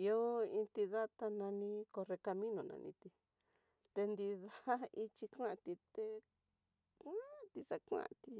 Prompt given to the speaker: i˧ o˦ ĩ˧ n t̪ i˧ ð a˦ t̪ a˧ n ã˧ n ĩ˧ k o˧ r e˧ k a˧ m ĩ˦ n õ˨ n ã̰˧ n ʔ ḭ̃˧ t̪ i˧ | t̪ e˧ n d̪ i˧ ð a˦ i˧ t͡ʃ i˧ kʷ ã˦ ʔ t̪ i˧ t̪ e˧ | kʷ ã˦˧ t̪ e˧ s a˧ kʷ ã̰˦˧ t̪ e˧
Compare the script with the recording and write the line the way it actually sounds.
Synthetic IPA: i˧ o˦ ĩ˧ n t̪ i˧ ð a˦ t̪ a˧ n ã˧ n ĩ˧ k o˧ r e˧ k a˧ m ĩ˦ n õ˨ n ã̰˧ n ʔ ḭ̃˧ t̪ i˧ | t̪ e˧ n d̪ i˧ ð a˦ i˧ t͡ʃ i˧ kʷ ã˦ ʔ t̪ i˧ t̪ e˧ | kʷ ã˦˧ t̪ i˧ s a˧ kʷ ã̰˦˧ t̪ i˧

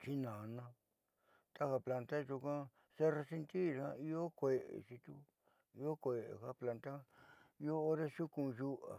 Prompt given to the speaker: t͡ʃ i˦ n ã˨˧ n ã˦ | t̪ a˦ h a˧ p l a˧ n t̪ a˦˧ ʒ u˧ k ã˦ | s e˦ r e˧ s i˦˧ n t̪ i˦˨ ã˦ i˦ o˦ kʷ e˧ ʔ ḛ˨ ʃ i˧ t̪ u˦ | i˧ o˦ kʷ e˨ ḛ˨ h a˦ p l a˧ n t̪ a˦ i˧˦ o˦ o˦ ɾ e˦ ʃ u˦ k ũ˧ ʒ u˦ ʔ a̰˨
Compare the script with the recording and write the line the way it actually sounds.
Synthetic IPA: t͡ʃ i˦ n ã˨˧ n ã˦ | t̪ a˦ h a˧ p l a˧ n t̪ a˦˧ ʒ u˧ k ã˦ | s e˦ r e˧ s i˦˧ n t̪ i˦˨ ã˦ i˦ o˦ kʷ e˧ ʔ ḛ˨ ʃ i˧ t̪ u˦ | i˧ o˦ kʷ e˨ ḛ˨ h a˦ p l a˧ n t̪ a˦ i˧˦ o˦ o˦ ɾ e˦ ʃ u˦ k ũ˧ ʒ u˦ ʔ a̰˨

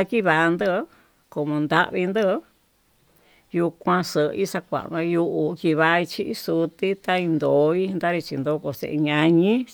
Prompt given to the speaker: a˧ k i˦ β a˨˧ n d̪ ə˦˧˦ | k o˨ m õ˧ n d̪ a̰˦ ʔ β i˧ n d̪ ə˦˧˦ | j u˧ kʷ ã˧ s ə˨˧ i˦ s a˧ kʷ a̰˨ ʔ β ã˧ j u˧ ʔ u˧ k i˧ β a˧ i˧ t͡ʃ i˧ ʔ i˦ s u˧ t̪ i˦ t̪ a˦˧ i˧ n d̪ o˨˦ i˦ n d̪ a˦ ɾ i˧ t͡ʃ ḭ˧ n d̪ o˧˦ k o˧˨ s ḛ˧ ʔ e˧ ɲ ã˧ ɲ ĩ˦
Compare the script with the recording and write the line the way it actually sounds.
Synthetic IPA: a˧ k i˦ β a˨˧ n d̪ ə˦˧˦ | k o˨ m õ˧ n d̪ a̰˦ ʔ β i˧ n d̪ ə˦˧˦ | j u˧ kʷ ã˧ s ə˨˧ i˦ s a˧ kʷ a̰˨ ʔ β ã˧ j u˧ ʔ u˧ k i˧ β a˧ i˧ t͡ʃ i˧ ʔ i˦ s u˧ t̪ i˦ t̪ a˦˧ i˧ n d̪ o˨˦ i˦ n d̪ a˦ ɾ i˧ t͡ʃ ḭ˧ n d̪ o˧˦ k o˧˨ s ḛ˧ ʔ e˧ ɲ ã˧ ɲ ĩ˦

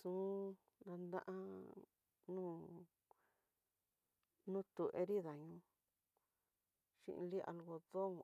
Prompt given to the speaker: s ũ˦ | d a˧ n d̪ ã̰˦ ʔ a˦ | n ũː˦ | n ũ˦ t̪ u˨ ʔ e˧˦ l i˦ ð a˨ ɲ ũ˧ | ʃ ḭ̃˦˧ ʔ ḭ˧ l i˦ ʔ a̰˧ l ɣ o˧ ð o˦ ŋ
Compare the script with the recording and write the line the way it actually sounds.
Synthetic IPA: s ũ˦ | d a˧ n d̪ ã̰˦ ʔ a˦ | n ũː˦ | n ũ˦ t̪ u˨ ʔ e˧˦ ɾ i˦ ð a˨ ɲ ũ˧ | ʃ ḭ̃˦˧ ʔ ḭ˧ l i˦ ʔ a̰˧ l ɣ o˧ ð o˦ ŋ

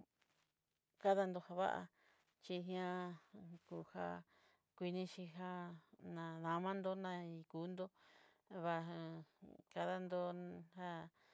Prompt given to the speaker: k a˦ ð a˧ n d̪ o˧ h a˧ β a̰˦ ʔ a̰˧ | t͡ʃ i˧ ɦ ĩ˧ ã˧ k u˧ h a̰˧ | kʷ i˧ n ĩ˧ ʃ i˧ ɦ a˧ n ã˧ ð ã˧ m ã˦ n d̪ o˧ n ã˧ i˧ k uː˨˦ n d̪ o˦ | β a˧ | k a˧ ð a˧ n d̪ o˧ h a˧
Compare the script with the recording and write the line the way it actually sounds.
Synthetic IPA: k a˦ ð a˧ n d̪ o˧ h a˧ β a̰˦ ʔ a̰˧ | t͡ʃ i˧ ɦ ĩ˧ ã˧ k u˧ h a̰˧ | kʷ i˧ n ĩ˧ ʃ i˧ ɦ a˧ n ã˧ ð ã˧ m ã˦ n d̪ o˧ n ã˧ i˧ k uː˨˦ n d̪ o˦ | β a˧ | k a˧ ð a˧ n d̪ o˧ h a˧

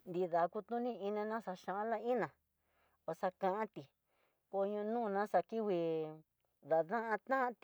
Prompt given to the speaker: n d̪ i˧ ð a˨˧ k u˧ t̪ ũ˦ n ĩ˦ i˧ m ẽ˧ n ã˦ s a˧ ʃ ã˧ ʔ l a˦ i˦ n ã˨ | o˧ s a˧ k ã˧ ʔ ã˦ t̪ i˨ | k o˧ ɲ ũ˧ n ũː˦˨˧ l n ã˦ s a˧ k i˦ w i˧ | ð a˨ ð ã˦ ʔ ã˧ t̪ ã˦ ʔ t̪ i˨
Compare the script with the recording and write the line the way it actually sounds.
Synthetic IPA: n d̪ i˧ ð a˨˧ k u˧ t̪ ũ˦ n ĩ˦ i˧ n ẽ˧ n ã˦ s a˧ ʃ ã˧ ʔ l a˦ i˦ n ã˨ | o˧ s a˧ k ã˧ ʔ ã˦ t̪ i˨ | k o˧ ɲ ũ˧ n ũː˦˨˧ n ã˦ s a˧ k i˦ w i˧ | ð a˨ ð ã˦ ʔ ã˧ t̪ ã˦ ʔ t̪ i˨

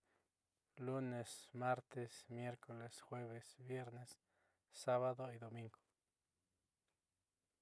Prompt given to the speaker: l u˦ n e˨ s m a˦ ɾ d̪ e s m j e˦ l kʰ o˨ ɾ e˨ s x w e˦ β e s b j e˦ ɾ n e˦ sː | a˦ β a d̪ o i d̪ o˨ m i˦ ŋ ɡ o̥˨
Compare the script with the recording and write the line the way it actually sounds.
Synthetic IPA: l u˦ n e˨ s m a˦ ɾ t̪ e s m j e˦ ɾ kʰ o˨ l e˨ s x w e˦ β e s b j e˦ ɾ n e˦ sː | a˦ β a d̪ o i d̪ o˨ m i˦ ŋ ɡ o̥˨

